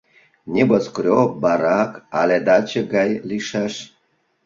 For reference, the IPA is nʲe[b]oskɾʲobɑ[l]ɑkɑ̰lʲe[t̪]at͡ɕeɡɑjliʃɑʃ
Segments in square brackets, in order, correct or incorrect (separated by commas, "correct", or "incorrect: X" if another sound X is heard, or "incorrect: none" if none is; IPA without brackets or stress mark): correct, incorrect: ɾ, incorrect: d̪